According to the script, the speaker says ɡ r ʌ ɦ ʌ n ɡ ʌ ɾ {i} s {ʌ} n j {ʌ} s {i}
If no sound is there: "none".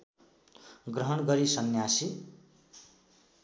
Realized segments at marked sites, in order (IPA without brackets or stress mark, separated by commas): i, ʌ, a, i